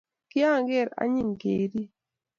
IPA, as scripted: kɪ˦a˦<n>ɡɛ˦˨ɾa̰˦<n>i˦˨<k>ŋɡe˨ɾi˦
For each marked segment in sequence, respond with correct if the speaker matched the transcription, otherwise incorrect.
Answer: incorrect, incorrect, incorrect

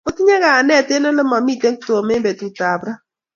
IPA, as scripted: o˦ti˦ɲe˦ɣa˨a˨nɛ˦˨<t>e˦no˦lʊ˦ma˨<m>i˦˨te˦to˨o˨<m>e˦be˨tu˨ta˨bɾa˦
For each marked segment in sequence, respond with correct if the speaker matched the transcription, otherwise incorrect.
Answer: correct, correct, correct

